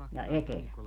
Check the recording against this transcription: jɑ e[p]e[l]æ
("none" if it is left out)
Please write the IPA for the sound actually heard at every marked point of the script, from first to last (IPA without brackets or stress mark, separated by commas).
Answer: t, l